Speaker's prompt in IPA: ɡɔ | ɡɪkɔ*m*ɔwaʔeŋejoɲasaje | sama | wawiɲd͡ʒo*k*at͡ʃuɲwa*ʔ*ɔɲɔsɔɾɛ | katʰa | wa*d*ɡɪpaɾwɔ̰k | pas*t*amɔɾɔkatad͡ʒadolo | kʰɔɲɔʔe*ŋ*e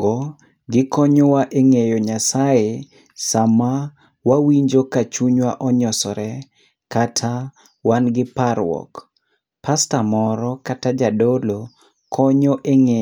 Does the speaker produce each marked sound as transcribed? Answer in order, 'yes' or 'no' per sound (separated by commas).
no, yes, yes, no, yes, yes